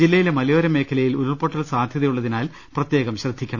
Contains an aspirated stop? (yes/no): yes